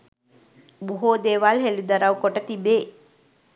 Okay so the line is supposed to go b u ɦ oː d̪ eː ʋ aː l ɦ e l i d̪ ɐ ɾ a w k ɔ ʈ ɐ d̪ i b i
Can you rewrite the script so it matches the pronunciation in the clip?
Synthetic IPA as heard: b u ɦ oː d̪ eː ʋ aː l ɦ e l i d̪ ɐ ɾ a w k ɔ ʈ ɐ t̪ i b e